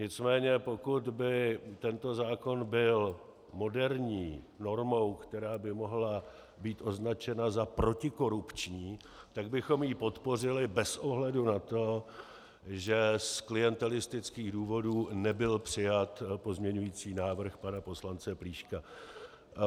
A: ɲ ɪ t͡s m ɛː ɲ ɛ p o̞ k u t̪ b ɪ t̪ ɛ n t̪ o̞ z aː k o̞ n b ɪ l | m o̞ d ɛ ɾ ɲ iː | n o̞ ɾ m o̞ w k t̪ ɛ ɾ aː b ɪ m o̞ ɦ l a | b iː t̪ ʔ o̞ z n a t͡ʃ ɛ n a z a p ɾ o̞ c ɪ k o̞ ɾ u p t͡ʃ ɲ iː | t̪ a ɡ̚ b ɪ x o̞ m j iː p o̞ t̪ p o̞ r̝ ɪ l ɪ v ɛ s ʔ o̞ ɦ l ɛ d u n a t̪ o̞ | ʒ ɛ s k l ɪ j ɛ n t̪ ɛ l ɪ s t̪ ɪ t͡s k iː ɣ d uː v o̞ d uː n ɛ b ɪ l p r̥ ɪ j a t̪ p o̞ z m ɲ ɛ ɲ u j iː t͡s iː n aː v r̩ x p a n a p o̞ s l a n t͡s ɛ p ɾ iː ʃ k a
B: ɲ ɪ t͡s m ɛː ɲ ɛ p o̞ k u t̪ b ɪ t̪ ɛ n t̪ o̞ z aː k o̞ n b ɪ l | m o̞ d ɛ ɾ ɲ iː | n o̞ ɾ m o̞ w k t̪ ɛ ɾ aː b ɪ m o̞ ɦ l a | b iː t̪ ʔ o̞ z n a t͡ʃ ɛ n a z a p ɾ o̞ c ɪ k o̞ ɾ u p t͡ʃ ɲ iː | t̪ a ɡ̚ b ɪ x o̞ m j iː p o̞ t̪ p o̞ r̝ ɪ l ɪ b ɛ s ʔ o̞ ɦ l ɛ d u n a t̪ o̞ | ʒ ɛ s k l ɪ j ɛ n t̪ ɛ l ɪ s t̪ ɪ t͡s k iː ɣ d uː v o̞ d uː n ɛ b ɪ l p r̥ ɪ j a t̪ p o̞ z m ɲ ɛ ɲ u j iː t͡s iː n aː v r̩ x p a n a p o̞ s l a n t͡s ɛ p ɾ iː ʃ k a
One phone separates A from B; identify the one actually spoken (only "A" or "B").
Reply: B